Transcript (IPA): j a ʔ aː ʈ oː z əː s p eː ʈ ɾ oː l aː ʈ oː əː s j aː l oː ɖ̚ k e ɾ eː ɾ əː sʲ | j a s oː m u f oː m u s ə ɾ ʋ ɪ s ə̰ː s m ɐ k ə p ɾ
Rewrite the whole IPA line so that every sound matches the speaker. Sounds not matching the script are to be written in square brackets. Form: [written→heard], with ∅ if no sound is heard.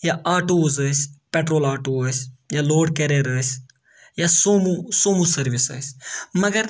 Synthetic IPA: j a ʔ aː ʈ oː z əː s p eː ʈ ɾ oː l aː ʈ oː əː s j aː l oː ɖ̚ k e ɾ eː ɾ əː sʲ | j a s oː m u [f→s] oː m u s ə ɾ ʋ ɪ s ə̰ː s m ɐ [k→ɡ] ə [p→∅] ɾ

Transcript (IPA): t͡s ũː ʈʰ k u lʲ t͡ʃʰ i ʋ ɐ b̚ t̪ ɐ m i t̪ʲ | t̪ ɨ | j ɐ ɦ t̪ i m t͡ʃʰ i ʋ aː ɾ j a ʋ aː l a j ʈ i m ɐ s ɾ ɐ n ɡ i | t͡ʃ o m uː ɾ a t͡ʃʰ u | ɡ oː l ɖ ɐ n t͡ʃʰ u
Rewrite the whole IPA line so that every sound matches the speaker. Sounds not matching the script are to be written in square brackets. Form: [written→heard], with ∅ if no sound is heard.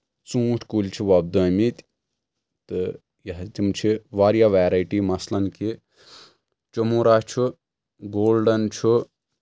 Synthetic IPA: t͡s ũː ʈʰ k u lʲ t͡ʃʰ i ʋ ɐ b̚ [t̪→d̪] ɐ m i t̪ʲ | t̪ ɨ | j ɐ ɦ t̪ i m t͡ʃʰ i ʋ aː ɾ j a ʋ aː [l→ɾ] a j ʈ i m ɐ s [ɾ→l] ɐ n [ɡ→k] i | t͡ʃ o m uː ɾ a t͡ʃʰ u | ɡ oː l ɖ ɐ n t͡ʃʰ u

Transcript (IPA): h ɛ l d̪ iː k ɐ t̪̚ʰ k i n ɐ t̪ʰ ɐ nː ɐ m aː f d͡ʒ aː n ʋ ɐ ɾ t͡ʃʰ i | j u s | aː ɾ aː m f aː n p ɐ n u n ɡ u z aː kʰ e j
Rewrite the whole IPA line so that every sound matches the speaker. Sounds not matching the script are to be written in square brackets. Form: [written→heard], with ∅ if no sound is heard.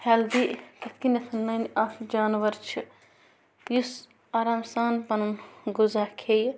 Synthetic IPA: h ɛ l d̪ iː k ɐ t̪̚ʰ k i n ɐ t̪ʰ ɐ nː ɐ [m→n] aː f d͡ʒ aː n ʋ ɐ ɾ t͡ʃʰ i | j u s | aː ɾ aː m [f→s] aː n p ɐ n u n ɡ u z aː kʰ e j

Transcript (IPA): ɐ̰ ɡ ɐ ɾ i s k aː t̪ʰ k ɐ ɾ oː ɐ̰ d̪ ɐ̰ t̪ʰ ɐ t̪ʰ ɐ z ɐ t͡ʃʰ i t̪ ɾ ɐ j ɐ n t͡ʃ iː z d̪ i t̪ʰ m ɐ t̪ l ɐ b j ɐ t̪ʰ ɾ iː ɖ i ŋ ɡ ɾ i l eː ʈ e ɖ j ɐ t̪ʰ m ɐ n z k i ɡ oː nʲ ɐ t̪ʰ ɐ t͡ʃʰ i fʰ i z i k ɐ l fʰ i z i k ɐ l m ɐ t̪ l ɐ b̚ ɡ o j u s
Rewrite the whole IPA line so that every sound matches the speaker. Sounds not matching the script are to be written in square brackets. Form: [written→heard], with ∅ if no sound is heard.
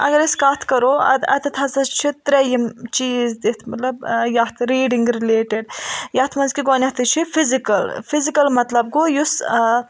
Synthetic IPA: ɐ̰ ɡ ɐ ɾ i s k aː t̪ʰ k ɐ ɾ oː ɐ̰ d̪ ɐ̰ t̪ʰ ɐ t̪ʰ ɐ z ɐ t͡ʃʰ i t̪ ɾ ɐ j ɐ [n→m] t͡ʃ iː z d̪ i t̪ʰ m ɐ t̪ l ɐ b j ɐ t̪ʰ ɾ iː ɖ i ŋ ɡ ɾ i l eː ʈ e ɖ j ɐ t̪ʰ m ɐ n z k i ɡ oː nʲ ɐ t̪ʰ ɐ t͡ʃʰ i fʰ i z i k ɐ l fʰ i z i k ɐ l m ɐ t̪ l ɐ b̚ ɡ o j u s

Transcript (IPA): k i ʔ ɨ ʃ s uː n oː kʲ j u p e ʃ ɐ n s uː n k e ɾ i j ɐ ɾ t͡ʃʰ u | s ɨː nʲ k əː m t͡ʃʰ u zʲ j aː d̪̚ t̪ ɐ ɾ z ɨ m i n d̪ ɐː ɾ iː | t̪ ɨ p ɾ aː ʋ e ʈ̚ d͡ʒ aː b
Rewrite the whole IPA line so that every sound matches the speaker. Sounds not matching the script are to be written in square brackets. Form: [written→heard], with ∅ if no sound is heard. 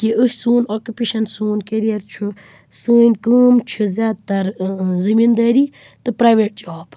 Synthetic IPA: k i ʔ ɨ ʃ s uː n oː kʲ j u p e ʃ ɐ n s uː n k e ɾ i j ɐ ɾ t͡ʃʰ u | s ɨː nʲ k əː m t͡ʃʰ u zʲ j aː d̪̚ t̪ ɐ ɾ z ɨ m i n d̪ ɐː ɾ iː | t̪ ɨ p ɾ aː ʋ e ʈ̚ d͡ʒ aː b

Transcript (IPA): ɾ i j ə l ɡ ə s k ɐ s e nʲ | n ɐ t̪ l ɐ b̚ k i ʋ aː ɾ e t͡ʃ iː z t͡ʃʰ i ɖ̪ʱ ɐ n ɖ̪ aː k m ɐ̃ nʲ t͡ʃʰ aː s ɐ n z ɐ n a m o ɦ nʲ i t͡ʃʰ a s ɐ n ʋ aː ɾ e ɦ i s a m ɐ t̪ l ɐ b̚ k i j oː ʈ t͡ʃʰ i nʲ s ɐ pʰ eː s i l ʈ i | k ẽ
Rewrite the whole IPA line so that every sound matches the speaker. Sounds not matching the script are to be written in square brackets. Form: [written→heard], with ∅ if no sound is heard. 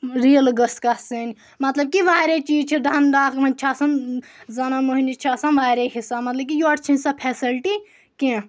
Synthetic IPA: ɾ i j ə l ɡ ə s k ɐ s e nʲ | [n→m] ɐ t̪ l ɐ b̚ k i ʋ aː ɾ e t͡ʃ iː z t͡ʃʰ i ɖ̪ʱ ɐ n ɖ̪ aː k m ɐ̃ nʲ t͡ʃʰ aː s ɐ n z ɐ n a m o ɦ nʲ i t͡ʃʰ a s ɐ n ʋ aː ɾ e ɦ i s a m ɐ t̪ l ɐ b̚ k i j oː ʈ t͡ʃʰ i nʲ s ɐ pʰ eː s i l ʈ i | k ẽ

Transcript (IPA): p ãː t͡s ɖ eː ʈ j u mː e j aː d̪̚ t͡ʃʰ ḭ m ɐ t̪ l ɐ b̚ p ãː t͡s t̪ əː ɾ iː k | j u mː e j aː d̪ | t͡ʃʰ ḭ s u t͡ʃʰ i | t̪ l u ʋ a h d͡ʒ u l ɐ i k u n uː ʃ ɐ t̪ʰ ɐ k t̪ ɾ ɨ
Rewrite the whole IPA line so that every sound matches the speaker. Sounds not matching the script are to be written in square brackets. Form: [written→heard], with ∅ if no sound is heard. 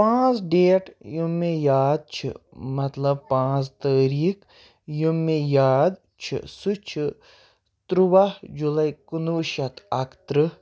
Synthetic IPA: p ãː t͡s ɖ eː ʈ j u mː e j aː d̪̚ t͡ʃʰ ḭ m ɐ t̪ l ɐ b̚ p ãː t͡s t̪ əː ɾ iː k | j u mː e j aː d̪ | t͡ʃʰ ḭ s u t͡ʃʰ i | t̪ [l→ɾ] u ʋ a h d͡ʒ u l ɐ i k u n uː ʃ ɐ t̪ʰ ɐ k t̪ ɾ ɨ

